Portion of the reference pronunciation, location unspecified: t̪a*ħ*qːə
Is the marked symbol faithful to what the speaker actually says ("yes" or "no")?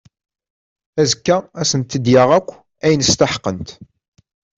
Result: yes